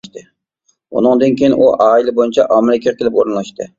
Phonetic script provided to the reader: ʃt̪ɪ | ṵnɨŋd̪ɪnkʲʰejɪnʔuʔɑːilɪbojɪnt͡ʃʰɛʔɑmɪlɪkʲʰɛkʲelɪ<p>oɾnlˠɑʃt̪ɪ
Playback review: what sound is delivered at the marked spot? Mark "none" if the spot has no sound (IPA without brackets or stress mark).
p